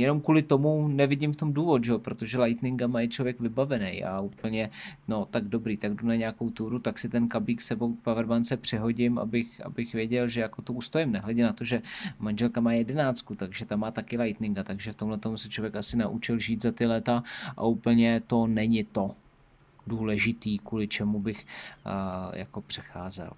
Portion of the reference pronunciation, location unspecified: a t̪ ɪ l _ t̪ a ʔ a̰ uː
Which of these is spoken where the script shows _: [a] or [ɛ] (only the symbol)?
ɛ